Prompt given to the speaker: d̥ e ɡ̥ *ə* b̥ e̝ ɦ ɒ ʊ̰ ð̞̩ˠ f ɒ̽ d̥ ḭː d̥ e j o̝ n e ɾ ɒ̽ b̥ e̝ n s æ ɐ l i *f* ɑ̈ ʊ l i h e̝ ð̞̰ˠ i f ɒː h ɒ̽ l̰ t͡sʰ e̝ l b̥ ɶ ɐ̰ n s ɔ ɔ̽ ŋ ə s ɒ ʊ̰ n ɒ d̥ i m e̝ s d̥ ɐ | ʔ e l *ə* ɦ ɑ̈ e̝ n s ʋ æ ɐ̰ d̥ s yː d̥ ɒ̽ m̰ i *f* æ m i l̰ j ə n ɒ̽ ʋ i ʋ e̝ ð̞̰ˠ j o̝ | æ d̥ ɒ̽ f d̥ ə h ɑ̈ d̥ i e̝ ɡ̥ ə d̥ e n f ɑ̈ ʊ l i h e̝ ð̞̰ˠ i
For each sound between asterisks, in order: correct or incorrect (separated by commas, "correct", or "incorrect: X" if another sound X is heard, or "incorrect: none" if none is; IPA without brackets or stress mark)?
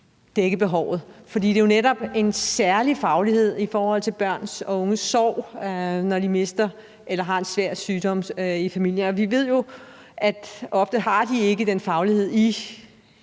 correct, correct, incorrect: ɐ, correct